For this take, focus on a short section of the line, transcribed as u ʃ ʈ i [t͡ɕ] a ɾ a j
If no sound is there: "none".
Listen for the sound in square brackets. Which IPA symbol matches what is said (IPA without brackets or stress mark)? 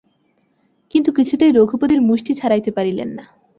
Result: t͡ɕʰ